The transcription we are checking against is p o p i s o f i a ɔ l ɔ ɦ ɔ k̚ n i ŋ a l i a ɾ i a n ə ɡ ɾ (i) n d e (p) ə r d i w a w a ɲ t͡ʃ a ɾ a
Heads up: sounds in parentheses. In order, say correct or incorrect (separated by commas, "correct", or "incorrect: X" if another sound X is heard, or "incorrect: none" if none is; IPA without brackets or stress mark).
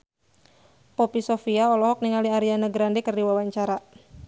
incorrect: a, incorrect: k